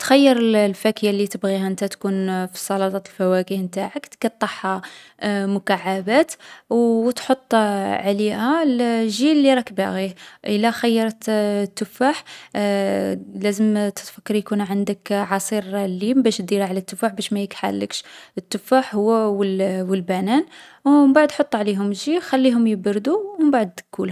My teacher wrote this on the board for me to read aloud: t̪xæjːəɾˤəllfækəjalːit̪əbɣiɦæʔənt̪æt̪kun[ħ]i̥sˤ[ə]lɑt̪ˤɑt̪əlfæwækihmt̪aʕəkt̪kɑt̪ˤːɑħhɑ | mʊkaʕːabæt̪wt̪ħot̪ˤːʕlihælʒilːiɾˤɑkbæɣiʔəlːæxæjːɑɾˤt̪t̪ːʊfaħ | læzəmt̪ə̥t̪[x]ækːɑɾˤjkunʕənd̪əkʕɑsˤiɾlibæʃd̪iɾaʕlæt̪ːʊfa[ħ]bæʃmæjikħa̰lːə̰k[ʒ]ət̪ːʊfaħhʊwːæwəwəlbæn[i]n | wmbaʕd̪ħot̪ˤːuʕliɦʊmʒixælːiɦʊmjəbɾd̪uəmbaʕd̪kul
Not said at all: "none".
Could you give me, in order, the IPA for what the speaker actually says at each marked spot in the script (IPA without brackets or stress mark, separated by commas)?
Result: f, ɑ, f, ħ, ʃ, æ